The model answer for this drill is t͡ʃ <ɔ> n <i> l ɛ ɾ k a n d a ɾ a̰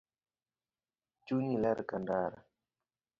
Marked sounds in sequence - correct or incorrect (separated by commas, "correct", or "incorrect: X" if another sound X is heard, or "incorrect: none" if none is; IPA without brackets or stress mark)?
incorrect: u, correct